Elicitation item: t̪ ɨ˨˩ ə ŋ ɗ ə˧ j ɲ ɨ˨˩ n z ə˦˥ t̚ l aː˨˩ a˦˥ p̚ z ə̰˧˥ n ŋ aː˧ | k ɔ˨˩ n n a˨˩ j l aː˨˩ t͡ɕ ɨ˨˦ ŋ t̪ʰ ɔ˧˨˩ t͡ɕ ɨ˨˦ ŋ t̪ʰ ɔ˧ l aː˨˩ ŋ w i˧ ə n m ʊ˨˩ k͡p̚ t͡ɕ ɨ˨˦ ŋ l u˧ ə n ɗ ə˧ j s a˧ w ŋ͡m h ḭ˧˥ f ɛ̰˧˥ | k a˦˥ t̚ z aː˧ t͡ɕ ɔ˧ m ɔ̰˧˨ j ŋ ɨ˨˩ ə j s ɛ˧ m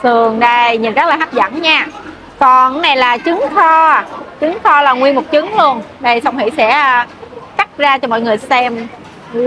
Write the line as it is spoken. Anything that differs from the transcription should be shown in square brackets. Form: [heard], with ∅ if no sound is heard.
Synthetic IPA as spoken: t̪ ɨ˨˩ ə ŋ ɗ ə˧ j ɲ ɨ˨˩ n z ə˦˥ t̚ l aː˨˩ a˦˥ p̚ z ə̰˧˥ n [ɲ] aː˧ | k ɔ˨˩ n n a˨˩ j l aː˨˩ t͡ɕ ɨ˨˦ ŋ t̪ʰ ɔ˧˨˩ t͡ɕ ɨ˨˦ ŋ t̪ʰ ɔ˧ l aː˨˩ ŋ w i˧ ə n m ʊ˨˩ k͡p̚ t͡ɕ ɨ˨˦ ŋ l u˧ ə n ɗ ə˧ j s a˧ w ŋ͡m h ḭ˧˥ [s] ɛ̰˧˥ | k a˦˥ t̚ z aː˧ t͡ɕ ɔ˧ m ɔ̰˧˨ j ŋ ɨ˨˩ ə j s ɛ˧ m

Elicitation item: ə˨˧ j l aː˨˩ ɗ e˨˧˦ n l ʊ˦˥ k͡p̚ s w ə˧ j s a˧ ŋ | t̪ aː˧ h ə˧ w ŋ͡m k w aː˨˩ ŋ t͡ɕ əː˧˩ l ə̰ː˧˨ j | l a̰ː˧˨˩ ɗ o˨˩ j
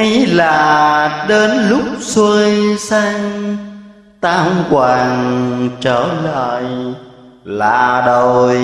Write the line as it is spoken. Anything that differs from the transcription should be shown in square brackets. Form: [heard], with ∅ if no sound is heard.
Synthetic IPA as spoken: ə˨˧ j l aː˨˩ ɗ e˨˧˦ n l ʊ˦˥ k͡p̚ s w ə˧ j s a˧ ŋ | t̪ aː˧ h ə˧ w ŋ͡m k w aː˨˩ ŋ t͡ɕ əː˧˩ l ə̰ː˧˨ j | l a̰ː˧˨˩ ɗ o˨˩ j

